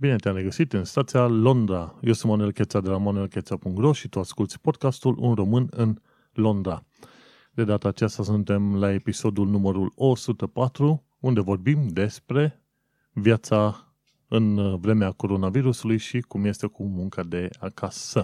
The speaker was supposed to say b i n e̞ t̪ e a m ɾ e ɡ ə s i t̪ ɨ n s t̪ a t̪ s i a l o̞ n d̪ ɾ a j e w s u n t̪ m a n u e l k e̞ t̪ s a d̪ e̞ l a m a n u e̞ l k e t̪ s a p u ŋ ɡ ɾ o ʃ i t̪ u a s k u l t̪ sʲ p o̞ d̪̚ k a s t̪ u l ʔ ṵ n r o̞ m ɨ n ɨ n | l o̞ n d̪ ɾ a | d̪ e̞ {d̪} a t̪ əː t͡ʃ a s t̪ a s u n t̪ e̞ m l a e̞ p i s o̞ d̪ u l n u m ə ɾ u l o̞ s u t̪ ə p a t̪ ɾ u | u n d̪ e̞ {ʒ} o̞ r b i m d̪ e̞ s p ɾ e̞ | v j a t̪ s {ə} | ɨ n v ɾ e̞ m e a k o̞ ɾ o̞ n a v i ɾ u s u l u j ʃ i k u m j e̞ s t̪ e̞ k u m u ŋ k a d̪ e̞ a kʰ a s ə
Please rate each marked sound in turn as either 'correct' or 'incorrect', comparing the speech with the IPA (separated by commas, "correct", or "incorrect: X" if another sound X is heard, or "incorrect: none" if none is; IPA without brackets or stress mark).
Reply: correct, incorrect: v, incorrect: a